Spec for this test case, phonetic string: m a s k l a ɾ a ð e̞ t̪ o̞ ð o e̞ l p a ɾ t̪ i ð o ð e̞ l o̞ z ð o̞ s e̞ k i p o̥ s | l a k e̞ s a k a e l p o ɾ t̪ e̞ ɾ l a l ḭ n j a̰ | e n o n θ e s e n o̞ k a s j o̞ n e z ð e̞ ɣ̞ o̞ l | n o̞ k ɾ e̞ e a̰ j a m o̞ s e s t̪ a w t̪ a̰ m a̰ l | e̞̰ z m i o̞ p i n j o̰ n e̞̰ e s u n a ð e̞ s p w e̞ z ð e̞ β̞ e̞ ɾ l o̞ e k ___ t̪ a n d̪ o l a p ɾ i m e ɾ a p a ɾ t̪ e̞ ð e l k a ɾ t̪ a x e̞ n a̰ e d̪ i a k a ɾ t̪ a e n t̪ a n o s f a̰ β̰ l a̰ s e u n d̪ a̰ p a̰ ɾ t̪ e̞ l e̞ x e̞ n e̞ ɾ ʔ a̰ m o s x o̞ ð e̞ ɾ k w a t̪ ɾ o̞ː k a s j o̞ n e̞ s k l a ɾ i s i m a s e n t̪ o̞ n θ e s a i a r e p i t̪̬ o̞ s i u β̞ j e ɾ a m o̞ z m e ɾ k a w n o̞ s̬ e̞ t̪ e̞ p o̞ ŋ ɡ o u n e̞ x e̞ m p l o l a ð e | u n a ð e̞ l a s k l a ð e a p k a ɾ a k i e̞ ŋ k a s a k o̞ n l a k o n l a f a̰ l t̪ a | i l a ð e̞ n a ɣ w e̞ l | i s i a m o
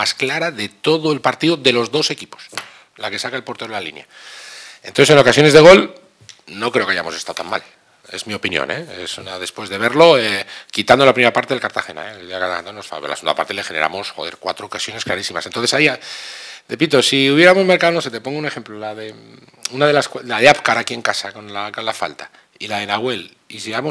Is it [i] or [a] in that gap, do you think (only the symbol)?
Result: i